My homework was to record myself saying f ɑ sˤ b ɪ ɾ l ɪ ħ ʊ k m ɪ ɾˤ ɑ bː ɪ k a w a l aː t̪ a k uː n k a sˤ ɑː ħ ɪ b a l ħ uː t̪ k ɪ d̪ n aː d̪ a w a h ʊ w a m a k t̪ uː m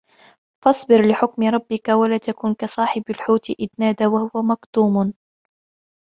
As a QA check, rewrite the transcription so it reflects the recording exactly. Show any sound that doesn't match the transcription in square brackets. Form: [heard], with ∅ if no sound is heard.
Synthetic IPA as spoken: f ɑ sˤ b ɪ ɾ l ɪ ħ ʊ k m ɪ ɾˤ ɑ bː ɪ k a w a l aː t̪ a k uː n k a sˤ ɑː ħ ɪ b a l ħ uː t̪ [ʔ] ɪ d̪ n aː d̪ a w a h ʊ w a m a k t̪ uː m